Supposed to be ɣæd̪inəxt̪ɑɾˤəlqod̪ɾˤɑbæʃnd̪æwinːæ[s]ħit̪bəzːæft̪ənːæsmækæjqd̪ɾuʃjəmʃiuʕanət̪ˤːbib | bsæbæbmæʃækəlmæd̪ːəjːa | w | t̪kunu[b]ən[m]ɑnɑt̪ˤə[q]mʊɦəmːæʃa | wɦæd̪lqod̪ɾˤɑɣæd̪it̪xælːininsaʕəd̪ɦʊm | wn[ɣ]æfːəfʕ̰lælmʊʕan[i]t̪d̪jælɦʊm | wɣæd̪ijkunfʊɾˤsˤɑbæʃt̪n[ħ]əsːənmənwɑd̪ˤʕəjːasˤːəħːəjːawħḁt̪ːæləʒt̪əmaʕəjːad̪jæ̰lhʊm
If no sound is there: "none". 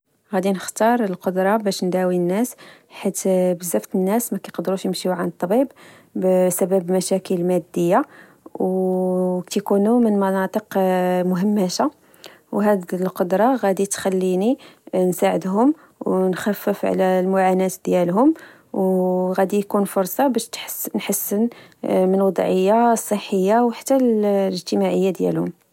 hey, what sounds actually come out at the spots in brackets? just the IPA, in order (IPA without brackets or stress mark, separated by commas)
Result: s, m, m, q, x, æ, ħ